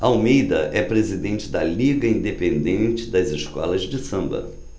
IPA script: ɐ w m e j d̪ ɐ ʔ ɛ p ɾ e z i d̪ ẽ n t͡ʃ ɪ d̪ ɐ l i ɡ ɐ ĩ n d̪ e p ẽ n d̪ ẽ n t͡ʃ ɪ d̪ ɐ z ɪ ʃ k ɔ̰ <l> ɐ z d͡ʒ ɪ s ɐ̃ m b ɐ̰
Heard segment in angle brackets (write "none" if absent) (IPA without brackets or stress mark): l